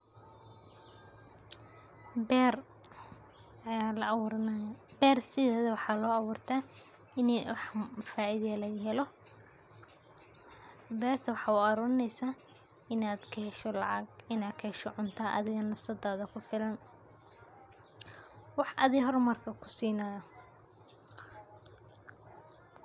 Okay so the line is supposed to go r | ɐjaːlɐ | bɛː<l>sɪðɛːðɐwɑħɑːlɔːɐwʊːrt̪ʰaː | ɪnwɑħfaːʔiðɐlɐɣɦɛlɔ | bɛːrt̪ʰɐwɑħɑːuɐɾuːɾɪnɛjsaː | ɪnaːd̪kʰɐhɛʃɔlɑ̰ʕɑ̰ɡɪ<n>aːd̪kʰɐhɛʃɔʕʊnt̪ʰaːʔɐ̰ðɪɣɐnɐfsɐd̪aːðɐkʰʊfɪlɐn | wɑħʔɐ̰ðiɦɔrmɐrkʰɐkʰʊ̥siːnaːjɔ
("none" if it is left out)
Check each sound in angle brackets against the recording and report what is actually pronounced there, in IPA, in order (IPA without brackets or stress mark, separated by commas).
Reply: r, n